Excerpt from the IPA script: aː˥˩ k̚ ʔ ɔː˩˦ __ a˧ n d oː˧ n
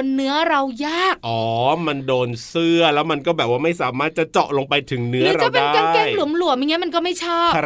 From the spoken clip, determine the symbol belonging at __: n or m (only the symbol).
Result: m